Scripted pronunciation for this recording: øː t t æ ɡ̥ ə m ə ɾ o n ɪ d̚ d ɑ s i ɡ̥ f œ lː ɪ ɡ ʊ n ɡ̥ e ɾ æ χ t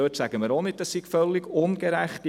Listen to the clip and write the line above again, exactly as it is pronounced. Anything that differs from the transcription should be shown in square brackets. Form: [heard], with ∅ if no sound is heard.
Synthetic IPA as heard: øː t [s] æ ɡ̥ ə m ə ɾ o n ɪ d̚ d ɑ s i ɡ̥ f œ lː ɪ ɡ ʊ n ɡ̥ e ɾ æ χ t

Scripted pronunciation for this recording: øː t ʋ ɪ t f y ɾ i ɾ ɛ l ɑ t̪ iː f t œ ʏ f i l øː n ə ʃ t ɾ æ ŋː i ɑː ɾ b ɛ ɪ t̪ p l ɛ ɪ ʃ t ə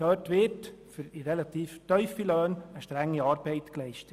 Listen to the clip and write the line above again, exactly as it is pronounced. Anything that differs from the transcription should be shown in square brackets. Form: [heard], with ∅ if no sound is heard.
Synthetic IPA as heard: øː t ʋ ɪ t f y ɾ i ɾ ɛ l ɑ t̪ iː f t œ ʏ f i l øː n ə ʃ t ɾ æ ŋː i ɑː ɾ b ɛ ɪ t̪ [k] l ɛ ɪ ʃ t ə

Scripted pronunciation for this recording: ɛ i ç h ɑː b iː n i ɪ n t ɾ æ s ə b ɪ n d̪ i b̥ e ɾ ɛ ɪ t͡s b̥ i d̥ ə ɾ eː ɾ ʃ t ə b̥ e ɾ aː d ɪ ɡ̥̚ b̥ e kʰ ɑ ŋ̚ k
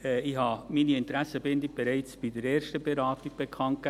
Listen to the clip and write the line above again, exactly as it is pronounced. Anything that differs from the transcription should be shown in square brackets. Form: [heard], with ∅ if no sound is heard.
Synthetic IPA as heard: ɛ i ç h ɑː [m] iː n i ɪ n t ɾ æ s ə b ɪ n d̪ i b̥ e ɾ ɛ ɪ t͡s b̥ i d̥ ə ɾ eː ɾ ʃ t ə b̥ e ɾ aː [t] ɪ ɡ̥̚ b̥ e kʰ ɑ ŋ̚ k

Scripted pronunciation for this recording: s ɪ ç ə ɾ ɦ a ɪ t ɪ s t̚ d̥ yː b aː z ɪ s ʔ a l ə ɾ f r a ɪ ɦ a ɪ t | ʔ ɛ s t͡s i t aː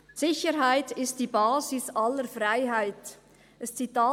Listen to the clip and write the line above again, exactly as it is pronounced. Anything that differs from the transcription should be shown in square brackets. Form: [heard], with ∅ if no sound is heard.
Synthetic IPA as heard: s ɪ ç ə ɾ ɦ a ɪ t ɪ s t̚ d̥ [iː] b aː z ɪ s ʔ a l ə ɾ f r a ɪ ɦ a ɪ t | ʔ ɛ s t͡s i t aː

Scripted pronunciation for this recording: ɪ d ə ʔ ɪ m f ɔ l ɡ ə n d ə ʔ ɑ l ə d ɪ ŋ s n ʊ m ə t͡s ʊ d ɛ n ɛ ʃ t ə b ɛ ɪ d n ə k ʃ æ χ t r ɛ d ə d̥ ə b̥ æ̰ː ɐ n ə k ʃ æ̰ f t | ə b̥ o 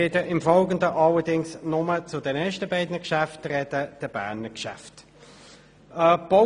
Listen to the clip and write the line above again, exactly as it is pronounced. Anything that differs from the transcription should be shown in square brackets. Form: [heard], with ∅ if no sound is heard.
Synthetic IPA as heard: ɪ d ə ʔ ɪ m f ɔ l ɡ ə n d ə ʔ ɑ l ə d ɪ ŋ s n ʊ m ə t͡s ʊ d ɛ n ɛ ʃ t ə b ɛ ɪ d n ə k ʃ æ [f] t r ɛ d ə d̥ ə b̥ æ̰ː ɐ n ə k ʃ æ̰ f t | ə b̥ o

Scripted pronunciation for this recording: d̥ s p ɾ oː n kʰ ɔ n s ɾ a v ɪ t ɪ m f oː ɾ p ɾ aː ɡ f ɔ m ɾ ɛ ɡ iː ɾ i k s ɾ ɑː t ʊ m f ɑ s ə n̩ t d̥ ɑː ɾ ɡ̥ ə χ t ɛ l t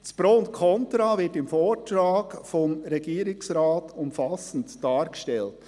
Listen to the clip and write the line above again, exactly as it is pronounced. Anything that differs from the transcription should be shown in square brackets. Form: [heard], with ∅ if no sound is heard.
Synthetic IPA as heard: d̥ s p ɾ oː n kʰ ɔ n [t] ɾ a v ɪ t ɪ m f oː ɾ [t] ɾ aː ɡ f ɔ m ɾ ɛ ɡ iː ɾ [ɪ] k s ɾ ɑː t ʊ m f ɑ s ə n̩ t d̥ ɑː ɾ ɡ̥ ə [ʃ] t ɛ l t

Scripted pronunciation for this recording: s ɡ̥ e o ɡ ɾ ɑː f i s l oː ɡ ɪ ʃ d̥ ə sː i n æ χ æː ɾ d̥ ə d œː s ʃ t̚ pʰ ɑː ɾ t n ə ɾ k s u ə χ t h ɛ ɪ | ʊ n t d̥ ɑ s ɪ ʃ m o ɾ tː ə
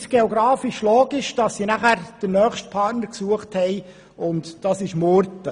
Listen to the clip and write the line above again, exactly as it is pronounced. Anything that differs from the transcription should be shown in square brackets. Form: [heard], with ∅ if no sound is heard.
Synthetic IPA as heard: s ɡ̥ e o ɡ ɾ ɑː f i [ʃ] l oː ɡ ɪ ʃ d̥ [ɑ] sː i n æ χ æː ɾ d̥ ə [n] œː [χ] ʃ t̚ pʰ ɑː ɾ t n ə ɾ k s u ə χ t h ɛ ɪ | ʊ n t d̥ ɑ s ɪ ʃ m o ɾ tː ə

